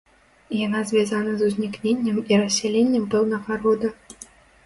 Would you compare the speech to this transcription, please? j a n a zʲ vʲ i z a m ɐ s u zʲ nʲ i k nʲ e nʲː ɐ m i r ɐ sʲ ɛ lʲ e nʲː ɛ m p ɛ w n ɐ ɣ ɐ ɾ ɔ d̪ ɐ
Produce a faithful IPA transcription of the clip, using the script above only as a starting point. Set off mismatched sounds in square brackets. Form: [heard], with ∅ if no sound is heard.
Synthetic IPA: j a n a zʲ vʲ [a] z a [n] ɐ [z] u zʲ nʲ i k nʲ e nʲː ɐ m i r ɐ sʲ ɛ lʲ e nʲː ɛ m p ɛ w n ɐ ɣ ɐ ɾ ɔ d̪ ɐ

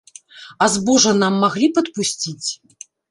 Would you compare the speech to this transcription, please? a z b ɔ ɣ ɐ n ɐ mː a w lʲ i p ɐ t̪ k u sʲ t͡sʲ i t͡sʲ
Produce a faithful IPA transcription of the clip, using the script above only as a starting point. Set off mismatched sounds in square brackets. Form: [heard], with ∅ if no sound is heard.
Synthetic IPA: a z b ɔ [ʐ] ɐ n [a] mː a [ɣ] lʲ i p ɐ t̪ [p] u sʲ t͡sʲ i t͡sʲ

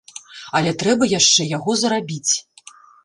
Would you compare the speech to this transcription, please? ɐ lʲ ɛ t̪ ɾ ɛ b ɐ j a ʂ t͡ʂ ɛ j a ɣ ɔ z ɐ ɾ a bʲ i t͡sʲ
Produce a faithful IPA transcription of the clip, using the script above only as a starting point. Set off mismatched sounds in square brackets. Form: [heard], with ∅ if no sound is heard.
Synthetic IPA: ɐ lʲ ɛ t̪ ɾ ɛ b ɐ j a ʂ t͡ʂ ɛ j a ɣ ɔ z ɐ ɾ a bʲ i t͡sʲ

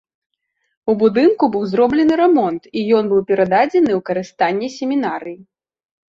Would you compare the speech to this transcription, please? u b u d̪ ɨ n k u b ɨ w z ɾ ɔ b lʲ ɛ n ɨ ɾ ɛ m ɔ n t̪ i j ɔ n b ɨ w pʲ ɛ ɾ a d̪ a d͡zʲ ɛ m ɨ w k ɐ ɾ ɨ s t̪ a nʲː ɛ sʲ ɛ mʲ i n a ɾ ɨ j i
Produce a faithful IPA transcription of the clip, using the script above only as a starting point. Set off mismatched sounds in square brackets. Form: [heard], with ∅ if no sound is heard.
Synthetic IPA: u b u d̪ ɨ n k u b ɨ w z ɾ ɔ b lʲ ɛ n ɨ ɾ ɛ m ɔ n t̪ i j ɔ n b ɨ w pʲ ɛ ɾ a d̪ a d͡zʲ ɛ [n] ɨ w k ɐ ɾ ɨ s t̪ a nʲː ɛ sʲ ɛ mʲ i n a ɾ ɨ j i

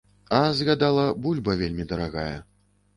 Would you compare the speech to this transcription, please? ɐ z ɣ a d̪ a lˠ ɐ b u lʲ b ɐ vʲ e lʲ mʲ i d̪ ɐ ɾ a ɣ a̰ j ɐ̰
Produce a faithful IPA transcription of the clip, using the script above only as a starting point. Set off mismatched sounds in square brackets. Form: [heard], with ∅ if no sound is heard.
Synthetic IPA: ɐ z ɣ a d̪ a lˠ ɐ b u lʲ b ɐ vʲ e lʲ mʲ i d̪ ɐ ɾ a ɣ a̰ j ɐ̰

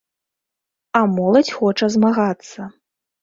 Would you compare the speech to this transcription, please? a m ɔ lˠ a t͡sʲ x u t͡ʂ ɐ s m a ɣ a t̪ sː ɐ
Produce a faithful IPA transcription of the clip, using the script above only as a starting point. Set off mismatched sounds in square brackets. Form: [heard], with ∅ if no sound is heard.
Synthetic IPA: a m ɔ lˠ [ɐ] t͡sʲ x [ɔ] t͡ʂ ɐ [z] m a ɣ a t̪ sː ɐ

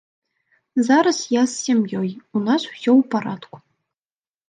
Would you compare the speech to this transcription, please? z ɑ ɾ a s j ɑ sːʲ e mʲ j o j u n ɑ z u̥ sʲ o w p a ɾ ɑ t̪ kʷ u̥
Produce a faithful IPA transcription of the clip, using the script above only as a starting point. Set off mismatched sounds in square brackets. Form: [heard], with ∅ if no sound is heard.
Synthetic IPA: z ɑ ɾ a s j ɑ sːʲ e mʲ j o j u n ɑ [s] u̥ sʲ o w p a ɾ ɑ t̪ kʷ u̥

